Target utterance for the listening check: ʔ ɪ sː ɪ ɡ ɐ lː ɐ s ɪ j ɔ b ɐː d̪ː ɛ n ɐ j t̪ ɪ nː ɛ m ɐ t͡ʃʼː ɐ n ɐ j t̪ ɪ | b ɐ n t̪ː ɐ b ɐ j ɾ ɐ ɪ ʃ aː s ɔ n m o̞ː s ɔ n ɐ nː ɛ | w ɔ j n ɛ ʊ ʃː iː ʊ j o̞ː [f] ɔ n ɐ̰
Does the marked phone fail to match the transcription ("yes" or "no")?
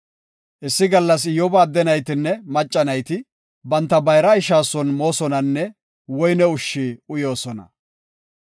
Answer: yes